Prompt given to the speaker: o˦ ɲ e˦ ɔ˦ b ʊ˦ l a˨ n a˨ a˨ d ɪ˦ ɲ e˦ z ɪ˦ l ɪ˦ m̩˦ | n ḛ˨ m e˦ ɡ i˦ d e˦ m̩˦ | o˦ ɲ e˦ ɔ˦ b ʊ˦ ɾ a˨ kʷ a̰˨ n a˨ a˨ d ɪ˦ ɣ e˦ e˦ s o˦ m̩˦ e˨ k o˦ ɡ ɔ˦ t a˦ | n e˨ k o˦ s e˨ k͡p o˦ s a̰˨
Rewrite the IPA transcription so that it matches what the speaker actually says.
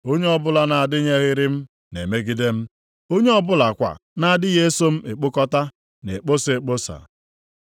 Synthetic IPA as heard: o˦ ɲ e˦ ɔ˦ b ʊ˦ l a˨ n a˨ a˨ d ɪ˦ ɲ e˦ ɣ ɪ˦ ɾ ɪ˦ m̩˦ | n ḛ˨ m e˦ ɡ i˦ d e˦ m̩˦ | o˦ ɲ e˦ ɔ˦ b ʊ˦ l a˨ kʷ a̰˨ n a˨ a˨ d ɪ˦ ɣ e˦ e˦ s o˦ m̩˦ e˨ k͡p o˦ k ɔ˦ t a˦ | n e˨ k͡p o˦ s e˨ k͡p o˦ s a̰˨

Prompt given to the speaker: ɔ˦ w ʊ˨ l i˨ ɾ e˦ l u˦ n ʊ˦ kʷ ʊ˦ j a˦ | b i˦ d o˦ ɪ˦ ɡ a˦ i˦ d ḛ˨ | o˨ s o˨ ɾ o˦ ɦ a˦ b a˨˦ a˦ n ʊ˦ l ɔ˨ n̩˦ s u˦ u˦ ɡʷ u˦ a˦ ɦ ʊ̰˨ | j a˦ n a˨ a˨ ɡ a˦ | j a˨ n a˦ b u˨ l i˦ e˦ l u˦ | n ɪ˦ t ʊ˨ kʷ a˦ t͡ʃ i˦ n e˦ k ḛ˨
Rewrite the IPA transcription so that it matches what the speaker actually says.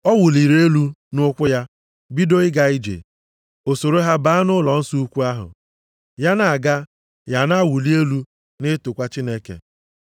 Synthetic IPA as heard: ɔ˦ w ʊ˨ l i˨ ɾ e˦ l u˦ n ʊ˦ kʷ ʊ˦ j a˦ | b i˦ d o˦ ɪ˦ ɡ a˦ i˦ d͡ʒ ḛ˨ | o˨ s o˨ ɾ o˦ ɦ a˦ b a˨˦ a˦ n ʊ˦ l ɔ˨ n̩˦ s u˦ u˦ kʷ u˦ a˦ ɦ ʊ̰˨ | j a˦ n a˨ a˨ ɡ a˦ | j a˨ n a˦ w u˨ l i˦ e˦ l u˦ | n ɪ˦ t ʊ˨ kʷ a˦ t͡ʃ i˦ n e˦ k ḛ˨

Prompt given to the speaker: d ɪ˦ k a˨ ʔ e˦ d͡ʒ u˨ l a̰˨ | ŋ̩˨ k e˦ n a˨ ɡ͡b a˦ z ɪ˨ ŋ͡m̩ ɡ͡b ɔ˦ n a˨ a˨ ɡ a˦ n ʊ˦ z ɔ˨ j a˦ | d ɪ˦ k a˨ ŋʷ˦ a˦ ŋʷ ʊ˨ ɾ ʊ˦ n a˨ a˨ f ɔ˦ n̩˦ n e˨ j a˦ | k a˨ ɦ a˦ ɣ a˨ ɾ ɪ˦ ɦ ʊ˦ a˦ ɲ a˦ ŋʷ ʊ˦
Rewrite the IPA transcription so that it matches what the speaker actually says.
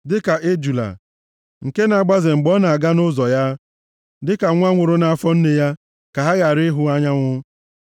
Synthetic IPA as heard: d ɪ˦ k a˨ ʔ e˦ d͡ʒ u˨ l a̰˨ | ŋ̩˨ k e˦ n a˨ ɡ͡b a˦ z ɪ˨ ŋ͡m̩ ɡ͡b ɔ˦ n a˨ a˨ ɡ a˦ n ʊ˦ z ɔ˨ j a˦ | d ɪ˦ k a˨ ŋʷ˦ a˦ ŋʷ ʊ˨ ɾ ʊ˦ n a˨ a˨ f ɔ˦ n̩˦ n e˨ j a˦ | k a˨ ɦ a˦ ɣ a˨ ɾ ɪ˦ ɦ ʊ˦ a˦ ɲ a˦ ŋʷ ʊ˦

